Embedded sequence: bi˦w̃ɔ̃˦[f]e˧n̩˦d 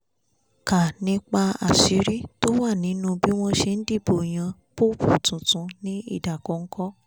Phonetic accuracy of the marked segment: incorrect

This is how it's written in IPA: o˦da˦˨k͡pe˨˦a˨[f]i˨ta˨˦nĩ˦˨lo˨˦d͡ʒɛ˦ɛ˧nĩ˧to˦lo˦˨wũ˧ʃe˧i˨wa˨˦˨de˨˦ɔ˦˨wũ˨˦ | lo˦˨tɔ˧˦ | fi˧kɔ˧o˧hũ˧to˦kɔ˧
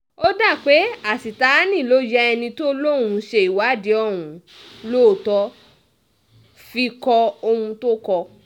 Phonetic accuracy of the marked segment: incorrect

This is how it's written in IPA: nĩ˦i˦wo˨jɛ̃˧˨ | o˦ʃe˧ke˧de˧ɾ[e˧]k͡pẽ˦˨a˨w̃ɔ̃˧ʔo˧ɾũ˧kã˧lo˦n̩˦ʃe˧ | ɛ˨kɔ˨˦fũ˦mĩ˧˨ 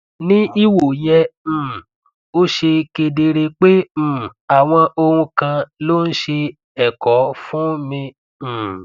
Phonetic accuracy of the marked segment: correct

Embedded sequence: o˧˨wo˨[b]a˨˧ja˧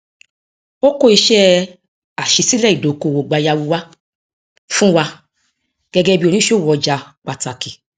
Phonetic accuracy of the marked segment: incorrect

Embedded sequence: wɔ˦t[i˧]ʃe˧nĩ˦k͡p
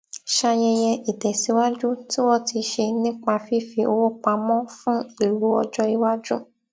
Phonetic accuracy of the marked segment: correct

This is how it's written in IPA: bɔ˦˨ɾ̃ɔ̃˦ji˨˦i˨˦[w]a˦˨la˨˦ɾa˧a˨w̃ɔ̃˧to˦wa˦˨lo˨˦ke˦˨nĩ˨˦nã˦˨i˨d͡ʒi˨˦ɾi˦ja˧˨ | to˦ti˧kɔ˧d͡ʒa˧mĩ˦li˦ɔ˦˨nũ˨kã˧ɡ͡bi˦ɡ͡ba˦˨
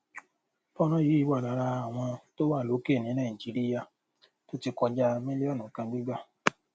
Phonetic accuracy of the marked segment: correct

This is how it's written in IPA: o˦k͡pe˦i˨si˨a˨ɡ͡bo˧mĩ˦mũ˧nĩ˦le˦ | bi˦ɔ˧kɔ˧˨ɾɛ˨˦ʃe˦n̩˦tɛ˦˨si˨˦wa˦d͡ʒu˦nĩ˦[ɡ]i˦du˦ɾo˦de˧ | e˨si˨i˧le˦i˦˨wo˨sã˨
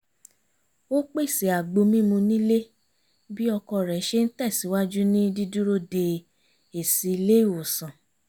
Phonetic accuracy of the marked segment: incorrect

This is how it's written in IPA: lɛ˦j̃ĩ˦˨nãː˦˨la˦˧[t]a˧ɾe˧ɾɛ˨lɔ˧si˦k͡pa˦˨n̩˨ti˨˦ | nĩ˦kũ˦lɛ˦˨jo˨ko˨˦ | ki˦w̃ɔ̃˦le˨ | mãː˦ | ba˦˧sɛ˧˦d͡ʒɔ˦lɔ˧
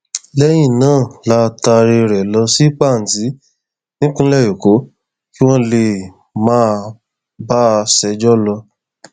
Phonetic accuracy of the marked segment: correct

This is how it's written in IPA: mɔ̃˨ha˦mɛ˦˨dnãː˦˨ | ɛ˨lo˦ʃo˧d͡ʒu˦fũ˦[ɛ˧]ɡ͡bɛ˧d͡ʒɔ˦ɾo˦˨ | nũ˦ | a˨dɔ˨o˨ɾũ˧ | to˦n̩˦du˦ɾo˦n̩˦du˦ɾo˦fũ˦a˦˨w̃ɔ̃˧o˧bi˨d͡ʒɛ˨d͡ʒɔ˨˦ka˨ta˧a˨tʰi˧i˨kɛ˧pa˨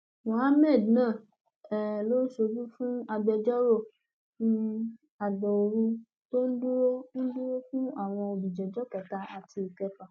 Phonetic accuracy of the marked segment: incorrect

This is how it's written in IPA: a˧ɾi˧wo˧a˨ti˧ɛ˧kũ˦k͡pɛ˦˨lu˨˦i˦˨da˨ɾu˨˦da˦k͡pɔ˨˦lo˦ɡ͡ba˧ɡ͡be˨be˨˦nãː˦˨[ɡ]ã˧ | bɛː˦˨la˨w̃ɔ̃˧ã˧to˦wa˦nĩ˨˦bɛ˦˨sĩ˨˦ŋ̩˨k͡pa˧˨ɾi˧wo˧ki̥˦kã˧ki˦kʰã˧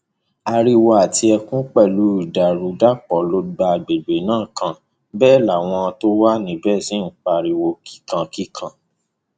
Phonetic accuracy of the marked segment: incorrect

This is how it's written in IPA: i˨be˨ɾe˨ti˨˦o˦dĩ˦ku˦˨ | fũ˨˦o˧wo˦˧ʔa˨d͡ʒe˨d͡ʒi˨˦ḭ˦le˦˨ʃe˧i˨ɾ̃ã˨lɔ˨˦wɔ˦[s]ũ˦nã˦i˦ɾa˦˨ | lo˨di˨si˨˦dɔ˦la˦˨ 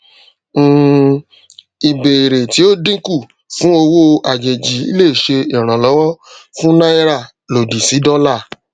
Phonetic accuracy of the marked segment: incorrect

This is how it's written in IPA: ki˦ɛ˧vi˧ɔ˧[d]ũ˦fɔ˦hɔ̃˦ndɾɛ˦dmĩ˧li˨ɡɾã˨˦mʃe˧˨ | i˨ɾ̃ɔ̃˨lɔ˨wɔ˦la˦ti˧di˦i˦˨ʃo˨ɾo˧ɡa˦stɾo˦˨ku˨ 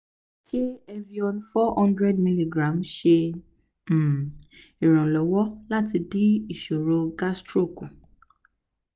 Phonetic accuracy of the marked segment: incorrect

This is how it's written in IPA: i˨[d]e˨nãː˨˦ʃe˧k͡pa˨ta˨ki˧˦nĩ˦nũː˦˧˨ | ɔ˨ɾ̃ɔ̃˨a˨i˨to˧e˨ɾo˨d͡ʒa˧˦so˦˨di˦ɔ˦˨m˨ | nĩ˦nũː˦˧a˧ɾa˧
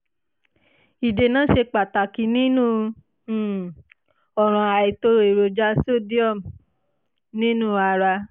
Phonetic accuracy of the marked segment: correct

